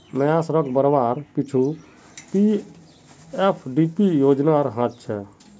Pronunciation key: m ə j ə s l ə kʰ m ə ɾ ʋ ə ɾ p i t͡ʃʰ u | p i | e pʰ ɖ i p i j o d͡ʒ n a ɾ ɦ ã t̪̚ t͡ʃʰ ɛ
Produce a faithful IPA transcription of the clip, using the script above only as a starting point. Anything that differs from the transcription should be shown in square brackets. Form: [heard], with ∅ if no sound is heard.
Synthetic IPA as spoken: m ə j [a] s [ɾ] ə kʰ [b] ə ɾ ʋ [a] ɾ p i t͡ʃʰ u | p i | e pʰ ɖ i p i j o d͡ʒ n a ɾ ɦ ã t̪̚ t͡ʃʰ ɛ